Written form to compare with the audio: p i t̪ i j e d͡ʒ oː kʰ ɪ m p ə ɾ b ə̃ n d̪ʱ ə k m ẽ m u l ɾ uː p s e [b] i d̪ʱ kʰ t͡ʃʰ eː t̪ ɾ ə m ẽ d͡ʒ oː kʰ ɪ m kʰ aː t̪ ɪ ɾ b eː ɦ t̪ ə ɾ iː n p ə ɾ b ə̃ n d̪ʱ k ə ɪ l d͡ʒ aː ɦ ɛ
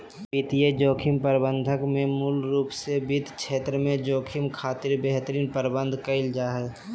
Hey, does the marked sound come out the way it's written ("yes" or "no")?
yes